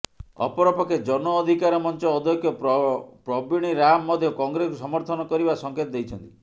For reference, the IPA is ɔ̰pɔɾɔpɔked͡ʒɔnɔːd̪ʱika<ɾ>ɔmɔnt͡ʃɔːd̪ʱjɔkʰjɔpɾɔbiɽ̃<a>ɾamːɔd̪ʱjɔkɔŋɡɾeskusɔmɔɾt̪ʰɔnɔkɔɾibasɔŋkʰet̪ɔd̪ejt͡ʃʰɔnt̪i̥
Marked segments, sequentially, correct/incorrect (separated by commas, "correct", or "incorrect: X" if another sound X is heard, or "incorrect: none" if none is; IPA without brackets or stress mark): correct, incorrect: i